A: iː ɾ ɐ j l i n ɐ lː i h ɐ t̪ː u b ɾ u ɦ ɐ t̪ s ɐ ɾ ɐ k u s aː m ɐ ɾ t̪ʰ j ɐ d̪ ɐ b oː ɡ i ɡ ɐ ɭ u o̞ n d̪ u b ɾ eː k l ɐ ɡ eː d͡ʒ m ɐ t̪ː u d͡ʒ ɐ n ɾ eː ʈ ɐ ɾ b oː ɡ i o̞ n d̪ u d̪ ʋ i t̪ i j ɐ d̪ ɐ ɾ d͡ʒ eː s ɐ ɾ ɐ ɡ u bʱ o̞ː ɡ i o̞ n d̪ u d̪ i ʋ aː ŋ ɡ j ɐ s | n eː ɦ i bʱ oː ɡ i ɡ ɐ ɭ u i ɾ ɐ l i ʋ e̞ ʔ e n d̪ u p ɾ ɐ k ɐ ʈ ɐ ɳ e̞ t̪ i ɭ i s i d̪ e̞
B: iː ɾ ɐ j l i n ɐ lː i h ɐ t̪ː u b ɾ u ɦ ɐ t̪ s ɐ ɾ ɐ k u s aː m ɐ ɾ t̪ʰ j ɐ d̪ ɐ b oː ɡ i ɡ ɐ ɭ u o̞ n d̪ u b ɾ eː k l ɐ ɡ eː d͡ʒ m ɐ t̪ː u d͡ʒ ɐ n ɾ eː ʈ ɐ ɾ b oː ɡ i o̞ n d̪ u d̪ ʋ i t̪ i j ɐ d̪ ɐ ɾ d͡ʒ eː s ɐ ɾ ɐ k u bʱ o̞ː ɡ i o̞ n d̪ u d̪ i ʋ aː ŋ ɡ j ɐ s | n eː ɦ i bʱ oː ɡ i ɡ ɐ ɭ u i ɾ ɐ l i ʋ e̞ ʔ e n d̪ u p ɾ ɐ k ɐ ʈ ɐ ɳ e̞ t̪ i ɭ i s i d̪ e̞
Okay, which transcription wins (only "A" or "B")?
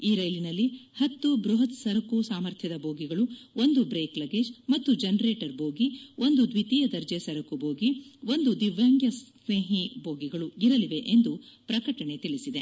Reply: B